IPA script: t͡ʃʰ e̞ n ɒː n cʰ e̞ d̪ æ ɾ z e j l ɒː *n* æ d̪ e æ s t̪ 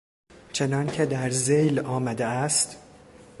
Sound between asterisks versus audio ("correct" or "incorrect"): incorrect